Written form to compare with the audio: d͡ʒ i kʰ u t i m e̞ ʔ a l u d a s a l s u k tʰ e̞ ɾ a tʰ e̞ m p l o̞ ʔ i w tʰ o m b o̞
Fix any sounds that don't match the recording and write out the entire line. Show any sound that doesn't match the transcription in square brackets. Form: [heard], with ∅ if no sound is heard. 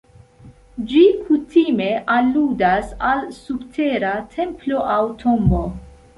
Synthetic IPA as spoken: d͡ʒ i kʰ u t i m e̞ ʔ a l u d a s a l s u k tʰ e̞ ɾ a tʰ e̞ m p l o̞ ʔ [a] w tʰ o m b o̞

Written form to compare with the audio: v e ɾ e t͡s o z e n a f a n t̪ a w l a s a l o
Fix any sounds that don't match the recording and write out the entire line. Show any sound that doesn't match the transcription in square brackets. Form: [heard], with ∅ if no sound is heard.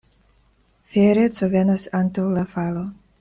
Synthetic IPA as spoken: [f] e ɾ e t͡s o [v] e n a [s] a n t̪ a w l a [f] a l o

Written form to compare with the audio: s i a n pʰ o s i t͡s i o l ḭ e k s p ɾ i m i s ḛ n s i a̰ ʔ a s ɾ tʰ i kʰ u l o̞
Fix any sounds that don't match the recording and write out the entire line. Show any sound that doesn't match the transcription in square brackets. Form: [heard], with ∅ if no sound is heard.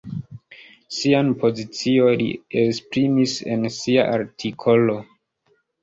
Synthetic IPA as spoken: s i a n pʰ o [z] i t͡s i o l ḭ e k s p ɾ i m i s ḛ n s i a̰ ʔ a [∅] ɾ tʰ i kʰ [o] l o̞

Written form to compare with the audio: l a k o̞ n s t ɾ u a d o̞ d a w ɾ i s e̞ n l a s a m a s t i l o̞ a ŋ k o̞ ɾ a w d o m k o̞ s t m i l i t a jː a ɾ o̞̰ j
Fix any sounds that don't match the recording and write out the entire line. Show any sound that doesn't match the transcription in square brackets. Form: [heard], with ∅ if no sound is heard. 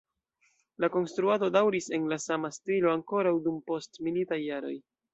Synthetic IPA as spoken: l a k o̞ n s t ɾ u a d o̞ d a w ɾ i s e̞ n l a s a m a s t i l o̞ a ŋ k o̞ ɾ a w d [u] m [p] o̞ s t m i l i t a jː a ɾ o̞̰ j

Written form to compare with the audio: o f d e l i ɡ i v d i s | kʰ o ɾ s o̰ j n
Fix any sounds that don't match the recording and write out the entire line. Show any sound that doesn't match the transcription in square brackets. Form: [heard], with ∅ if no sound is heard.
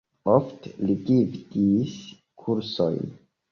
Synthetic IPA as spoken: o f [t] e l i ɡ i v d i s | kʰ [u] ɾ s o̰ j n

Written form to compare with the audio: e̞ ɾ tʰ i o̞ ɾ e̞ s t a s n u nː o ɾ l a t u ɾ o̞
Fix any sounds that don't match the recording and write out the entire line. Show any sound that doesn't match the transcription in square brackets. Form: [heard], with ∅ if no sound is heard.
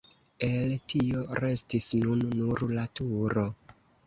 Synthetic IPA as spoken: e̞ [l] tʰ i o̞ ɾ e̞ s t [i] s n u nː [u] ɾ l a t u ɾ o̞

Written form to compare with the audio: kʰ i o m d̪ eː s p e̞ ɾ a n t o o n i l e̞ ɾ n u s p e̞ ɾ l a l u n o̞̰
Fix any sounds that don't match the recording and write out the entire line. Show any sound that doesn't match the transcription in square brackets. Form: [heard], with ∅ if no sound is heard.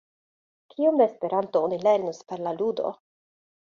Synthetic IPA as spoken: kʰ i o m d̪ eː s p e̞ ɾ a n t o o n i l e̞ ɾ n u s p e̞ ɾ l a l u [d] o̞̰

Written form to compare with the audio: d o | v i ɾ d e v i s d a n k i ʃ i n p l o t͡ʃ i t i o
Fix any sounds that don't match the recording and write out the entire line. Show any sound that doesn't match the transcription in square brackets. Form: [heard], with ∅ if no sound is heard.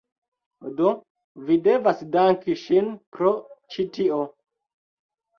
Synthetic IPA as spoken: d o | v i [∅] d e v [a] s d a [ŋ] k i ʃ i n p [ɾ] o t͡ʃ i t i o

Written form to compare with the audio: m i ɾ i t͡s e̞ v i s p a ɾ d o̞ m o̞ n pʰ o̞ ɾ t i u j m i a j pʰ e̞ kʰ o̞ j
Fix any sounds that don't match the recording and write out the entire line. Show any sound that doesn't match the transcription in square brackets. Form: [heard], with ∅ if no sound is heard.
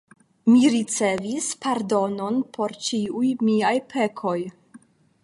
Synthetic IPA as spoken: m i ɾ i t͡s e̞ v i s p a ɾ d o̞ [n] o̞ n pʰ o̞ ɾ [t͡ʃ] i u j m i a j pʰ e̞ kʰ o̞ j

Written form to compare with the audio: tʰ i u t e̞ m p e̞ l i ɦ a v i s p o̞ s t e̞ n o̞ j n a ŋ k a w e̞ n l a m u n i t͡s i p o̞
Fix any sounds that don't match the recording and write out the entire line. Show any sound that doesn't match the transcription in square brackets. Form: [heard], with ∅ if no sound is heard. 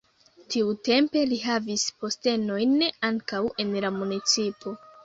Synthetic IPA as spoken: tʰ i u t e̞ m p e̞ l i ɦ a v i s p o̞ s t e̞ n o̞ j n a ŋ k a w e̞ n l a m u n i t͡s i p o̞

